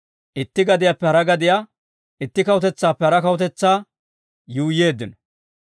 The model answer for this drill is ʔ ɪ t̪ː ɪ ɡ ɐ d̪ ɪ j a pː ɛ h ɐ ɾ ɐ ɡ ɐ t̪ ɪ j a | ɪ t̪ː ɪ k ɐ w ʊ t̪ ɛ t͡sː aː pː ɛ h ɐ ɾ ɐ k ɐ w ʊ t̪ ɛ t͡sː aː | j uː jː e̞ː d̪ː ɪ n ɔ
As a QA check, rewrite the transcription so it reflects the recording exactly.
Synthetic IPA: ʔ ɪ t̪ː ɪ ɡ ɐ d̪ ɪ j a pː ɛ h ɐ ɾ ɐ ɡ ɐ d̪ ɪ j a | ɪ t̪ː ɪ k ɐ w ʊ t̪ ɛ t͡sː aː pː ɛ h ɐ ɾ ɐ k ɐ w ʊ t̪ ɛ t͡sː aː | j uː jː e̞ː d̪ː ɪ n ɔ